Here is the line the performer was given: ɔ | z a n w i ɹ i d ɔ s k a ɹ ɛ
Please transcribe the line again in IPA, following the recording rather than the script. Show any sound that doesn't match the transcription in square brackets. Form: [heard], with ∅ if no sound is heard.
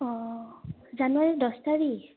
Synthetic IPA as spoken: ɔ | z a n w [a] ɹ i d ɔ s [t] a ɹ [i]